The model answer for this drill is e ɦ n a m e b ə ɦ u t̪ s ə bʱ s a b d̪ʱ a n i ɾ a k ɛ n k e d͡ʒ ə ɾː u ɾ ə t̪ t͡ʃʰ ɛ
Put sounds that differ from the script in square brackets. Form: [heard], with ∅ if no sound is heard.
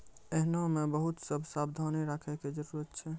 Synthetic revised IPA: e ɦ n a m e b ə ɦ u t̪ s ə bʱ s a b d̪ʱ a n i ɾ a [kʰ] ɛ [∅] k e d͡ʒ ə [ɾ] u ɾ ə t̪ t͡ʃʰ ɛ

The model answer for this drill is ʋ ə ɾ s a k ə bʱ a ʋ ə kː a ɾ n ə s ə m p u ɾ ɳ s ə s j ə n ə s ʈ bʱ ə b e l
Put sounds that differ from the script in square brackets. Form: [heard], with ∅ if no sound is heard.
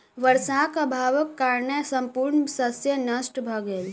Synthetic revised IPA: ʋ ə ɾ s a k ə bʱ a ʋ ə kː a ɾ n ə s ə m p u ɾ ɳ s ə s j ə n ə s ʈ bʱ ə [ɡ] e l

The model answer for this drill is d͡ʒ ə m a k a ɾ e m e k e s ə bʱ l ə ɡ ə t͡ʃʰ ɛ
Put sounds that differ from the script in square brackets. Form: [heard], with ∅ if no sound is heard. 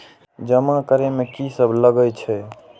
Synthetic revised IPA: d͡ʒ ə m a k [ə] ɾ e m e k [i] s ə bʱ l ə ɡ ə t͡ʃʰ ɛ

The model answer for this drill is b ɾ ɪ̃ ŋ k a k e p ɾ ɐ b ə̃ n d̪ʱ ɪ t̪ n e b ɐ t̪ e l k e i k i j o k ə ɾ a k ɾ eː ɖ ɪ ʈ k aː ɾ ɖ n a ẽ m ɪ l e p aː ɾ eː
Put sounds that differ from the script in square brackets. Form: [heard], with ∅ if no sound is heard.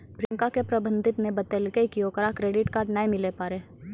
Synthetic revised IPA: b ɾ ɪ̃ ŋ k a k e p ɾ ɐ b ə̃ n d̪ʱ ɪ t̪ n e b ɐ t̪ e l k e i k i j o k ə ɾ a k ɾ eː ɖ ɪ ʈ k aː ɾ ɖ n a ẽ m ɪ l e p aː ɾ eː

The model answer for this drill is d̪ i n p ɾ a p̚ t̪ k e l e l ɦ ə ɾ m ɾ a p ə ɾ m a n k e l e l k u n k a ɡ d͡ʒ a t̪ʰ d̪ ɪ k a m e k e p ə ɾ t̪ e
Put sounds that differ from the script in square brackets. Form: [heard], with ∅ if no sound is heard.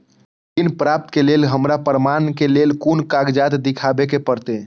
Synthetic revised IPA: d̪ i n p ɾ a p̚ t̪ k e l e l ɦ ə [∅] m ɾ a p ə ɾ m a n k e l e l k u n k a ɡ d͡ʒ a [t̪] d̪ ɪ [kʰ] a [b] e k e p ə ɾ t̪ e

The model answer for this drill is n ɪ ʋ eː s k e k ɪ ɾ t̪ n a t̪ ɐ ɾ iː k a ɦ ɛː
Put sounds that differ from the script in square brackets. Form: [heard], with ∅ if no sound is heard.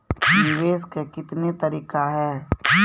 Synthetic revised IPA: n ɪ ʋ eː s k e k ɪ [∅] t̪ n [e] t̪ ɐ ɾ iː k a ɦ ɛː

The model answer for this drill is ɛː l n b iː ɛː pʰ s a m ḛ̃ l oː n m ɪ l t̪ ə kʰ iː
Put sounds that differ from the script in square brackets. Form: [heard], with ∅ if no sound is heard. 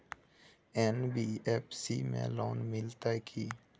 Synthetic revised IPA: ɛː [∅] n b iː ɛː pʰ s [i] m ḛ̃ l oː n m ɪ l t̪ [a] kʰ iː

